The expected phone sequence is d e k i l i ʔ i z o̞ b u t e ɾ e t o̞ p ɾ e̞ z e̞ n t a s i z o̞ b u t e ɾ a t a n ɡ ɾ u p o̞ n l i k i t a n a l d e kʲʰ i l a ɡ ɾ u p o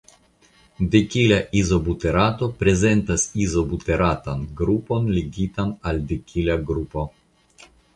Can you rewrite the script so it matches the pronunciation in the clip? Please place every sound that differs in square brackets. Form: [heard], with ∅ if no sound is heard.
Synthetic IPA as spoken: d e k i l [a] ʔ i z o̞ b u t e ɾ [a] t o̞ p ɾ e̞ z e̞ n t a s i z o̞ b u t e ɾ a t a n ɡ ɾ u p o̞ n l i [ɡ] i t a n a l d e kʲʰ i l a ɡ ɾ u p o